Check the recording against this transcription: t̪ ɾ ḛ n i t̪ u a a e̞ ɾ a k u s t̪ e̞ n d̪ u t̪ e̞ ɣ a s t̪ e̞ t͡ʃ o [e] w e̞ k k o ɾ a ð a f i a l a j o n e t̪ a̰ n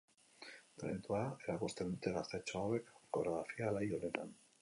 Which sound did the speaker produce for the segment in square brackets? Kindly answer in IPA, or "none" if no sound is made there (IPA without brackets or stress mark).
a